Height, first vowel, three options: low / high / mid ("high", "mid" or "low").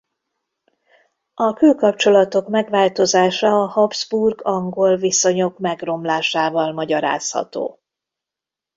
low